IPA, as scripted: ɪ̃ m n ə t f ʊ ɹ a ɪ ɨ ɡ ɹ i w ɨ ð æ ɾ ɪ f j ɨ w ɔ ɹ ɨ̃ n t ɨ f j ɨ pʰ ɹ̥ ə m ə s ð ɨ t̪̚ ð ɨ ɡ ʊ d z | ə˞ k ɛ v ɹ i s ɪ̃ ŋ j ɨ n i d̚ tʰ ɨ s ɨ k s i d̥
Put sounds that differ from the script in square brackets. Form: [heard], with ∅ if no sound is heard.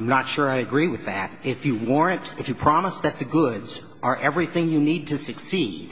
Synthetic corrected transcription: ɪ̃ m n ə t [ʃ] ʊ ɹ a ɪ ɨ ɡ ɹ i w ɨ ð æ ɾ ɪ f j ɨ w ɔ ɹ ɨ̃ n t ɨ f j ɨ pʰ ɹ̥ [ɑ] m ə s ð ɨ t̪̚ ð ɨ ɡ ʊ d z | ə˞ [ʔ] ɛ v ɹ i [θ] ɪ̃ ŋ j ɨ n i d̚ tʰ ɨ s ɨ k s i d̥